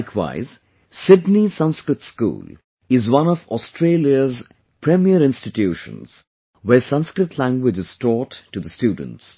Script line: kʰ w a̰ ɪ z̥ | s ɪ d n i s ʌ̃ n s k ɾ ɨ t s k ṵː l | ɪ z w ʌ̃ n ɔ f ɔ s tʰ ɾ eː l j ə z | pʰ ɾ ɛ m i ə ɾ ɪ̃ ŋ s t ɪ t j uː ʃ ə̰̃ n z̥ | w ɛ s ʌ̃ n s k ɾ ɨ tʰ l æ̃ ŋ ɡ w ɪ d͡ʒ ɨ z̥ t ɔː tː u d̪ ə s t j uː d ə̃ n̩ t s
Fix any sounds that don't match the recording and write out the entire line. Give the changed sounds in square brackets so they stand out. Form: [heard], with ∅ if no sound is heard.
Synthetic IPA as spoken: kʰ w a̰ ɪ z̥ | s ɪ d n i s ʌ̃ n s k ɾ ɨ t s k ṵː l | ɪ z w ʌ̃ n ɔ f ɔ s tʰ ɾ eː l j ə z | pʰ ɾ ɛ m i ə ɾ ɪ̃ [n] s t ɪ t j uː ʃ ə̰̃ n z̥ | w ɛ s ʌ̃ n s k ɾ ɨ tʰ l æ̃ ŋ ɡ w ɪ d͡ʒ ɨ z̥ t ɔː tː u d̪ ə s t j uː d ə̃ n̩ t s